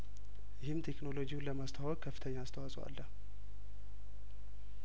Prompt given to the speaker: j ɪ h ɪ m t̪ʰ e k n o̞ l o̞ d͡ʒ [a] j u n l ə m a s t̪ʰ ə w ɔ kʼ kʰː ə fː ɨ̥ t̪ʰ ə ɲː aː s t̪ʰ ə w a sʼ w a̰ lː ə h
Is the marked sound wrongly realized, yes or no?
yes